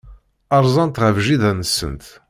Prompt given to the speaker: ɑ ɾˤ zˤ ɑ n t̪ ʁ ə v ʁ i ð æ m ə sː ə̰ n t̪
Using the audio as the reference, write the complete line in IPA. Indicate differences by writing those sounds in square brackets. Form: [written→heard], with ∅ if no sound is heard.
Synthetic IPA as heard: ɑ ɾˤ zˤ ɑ n t̪ ʁ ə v [ʁ→ʒ] i ð æ [m→n] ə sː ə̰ n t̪